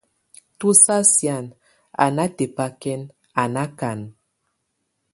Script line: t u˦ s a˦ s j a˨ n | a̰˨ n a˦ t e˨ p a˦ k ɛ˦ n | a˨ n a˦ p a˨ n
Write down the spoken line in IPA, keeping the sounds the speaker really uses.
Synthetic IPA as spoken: t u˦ s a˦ s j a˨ n | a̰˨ n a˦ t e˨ p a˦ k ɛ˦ n | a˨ n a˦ k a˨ n